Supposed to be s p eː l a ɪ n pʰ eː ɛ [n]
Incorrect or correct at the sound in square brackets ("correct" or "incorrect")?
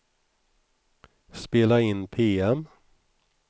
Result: incorrect